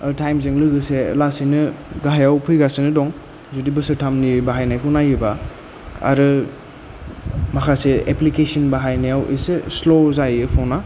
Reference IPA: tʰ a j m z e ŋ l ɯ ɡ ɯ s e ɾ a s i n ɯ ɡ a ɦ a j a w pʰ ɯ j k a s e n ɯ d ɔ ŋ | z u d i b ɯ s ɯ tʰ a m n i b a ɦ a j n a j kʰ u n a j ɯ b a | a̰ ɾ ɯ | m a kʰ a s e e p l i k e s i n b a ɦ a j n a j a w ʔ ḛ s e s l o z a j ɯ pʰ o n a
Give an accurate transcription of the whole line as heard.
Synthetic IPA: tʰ a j m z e ŋ l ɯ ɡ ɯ s e l a s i n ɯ ɡ a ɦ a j a w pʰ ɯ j ɡ a s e n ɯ d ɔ ŋ | z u d i b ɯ s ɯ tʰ a m n i b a ɦ a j n a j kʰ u n a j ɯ b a | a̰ ɾ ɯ | m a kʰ a s e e p l i k e s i n b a ɦ a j n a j a w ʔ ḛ s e s l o z a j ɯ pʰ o n a